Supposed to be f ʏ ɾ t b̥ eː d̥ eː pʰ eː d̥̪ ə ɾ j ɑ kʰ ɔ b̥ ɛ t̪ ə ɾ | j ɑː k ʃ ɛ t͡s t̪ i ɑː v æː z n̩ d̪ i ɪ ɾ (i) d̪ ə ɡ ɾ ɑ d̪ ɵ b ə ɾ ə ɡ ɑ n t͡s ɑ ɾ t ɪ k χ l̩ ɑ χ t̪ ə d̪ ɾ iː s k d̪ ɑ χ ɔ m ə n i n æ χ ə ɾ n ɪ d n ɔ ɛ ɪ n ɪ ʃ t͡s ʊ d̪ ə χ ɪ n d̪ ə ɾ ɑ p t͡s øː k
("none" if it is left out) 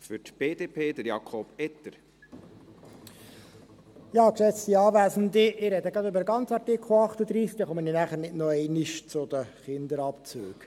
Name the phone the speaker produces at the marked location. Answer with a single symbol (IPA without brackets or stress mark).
ɛ